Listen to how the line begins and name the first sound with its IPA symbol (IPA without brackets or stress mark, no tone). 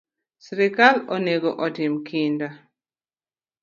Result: s